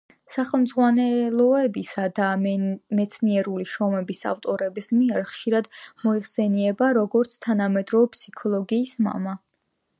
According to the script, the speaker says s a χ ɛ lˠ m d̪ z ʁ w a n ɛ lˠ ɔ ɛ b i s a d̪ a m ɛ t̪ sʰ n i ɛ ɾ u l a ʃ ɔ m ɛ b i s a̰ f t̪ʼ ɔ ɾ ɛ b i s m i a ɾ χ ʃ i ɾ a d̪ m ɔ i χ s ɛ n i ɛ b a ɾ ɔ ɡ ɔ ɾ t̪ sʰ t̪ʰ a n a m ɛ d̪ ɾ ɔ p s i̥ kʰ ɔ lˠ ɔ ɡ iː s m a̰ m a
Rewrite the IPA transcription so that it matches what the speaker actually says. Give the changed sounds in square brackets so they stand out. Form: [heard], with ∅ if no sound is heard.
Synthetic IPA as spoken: s a χ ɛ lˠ m d̪ z ʁ w a n ɛ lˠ ɔ ɛ b i s a d̪ a m ɛ t̪ sʰ n i ɛ ɾ u l [i] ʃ ɔ m ɛ b i s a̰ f t̪ʼ ɔ ɾ ɛ b i s m i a ɾ χ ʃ i ɾ a d̪ m ɔ i χ s ɛ n i ɛ b a ɾ ɔ ɡ ɔ ɾ t̪ sʰ t̪ʰ a n a m ɛ d̪ ɾ ɔ p s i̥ kʰ ɔ lˠ ɔ ɡ iː s m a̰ m a